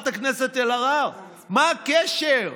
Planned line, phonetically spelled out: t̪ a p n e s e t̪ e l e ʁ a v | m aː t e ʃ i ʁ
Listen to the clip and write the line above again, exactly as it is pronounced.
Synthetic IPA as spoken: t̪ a k n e s e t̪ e l a ʁ a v | m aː k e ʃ e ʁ

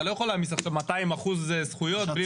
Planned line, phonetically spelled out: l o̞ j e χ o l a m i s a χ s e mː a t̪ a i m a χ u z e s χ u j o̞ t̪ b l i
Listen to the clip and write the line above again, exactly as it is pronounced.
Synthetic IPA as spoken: l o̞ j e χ o l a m i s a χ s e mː a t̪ a i m a χ u z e s χ u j o̞ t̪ b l i

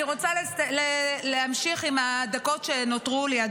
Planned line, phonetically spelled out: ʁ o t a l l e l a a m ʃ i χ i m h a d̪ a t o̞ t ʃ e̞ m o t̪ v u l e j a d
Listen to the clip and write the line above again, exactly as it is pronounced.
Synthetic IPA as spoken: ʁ o t͡s a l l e l e a m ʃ i χ i m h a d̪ a k o̞ t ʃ e̞ n o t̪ ʁ u l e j a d

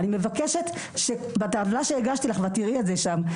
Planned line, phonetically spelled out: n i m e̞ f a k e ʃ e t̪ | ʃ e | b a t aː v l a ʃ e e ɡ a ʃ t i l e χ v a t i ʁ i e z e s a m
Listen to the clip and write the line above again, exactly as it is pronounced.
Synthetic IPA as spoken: n i m e̞ v a k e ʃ e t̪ | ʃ e | b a t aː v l a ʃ e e ɡ a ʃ t i l a χ v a t i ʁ i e z e ʃ a m

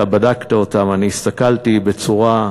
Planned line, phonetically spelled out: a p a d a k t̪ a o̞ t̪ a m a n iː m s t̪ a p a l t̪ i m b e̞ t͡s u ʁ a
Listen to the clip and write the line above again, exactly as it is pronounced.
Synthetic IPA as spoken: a b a d a k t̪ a o̞ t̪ a m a n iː s t̪ a k a l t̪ i b e̞ t͡s u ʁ a

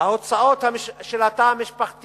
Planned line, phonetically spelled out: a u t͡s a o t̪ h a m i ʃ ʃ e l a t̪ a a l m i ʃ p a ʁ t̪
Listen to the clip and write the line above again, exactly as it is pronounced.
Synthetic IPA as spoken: a o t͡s a o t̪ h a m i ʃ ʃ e l a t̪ a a m i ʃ p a χ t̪

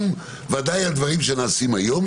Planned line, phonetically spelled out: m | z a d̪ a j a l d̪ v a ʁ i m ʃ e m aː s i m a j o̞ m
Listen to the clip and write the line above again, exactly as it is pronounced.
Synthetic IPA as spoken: m | v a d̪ a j a l d̪ v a ʁ i m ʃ e n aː s i m a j o̞ m

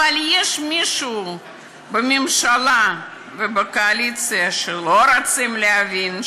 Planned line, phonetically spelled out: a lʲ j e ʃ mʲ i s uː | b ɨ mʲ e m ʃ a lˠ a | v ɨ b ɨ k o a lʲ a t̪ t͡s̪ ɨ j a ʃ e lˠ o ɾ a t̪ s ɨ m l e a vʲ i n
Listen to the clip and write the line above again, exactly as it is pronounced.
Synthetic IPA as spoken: a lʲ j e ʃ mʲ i ʃ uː | b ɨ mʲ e m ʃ a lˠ a | v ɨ b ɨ k o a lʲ i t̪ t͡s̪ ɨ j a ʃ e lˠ o ɾ a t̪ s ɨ m l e a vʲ i n

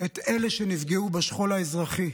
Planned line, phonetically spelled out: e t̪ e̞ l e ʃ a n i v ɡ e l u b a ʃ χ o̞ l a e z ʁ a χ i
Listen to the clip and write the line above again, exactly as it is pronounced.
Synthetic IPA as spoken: e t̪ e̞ l e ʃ e n i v ɡ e u b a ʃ χ o̞ l a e z ʁ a χ i

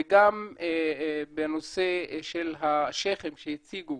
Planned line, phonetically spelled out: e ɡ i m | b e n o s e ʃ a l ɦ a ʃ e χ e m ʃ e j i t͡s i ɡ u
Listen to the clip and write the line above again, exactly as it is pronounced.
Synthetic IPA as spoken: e ɡ a m | b e n o s e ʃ e l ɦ a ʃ e χ e m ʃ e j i t͡s i ɡ u

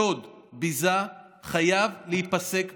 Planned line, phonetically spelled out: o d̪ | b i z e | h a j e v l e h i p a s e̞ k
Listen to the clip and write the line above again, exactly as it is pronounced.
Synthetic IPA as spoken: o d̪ | b i z a | χ a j a v l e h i p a s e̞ k

